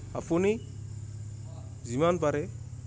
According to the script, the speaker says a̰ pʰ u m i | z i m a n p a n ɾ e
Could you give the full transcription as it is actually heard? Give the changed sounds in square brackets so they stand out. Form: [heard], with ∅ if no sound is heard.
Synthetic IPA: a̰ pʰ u [n] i | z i m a n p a [∅] ɾ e